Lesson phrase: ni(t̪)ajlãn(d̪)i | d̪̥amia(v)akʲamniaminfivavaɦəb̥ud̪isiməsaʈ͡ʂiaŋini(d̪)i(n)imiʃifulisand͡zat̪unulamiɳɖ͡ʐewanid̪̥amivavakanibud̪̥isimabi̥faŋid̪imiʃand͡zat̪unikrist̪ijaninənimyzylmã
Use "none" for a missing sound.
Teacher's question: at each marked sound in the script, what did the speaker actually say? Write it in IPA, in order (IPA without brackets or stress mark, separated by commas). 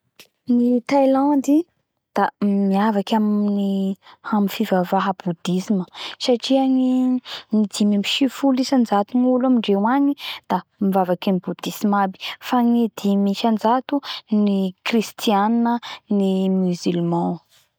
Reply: t̪, d̪, v, d̪, m